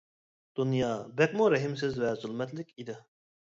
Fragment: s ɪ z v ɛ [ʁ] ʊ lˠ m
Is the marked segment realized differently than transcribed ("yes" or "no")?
yes